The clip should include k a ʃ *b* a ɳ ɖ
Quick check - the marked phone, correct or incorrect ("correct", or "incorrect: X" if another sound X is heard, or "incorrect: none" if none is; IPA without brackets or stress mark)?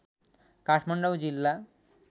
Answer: incorrect: m